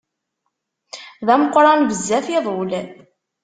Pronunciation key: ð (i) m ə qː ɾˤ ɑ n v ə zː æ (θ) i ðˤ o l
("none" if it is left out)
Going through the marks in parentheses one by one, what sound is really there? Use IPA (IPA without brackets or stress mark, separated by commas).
æ, θ